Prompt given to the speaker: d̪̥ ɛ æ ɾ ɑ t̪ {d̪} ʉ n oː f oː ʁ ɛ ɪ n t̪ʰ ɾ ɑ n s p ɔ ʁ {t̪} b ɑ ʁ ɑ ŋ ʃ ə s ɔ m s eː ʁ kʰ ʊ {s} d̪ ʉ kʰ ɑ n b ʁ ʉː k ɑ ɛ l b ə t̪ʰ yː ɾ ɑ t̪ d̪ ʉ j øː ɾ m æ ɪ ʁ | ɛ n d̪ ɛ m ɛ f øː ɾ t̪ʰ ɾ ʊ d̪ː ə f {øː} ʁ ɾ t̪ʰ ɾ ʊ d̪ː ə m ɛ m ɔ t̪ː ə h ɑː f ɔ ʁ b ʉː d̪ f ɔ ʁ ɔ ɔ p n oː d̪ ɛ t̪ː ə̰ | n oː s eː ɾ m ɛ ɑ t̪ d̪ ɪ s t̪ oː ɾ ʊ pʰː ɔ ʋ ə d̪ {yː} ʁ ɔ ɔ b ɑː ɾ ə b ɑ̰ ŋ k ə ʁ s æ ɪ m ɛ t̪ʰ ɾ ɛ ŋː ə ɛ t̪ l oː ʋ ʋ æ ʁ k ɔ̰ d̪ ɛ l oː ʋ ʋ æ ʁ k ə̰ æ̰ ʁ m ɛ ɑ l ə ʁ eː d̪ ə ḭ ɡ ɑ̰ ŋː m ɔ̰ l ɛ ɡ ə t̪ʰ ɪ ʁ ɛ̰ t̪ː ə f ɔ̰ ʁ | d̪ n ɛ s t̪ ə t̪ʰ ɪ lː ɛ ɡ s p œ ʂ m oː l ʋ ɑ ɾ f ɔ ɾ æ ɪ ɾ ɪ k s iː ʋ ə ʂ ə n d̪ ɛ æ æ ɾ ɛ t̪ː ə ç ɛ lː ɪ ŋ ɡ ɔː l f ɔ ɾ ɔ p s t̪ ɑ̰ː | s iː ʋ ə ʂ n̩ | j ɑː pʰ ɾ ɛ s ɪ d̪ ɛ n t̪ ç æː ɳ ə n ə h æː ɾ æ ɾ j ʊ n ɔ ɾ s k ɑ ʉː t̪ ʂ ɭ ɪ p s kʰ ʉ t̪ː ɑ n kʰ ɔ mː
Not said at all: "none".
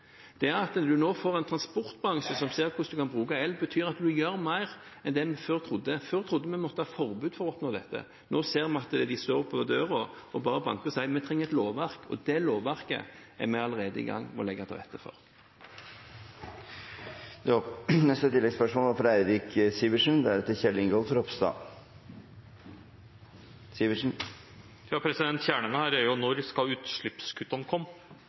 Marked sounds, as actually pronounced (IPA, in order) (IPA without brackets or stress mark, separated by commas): d̪, t̪, s, øː, øː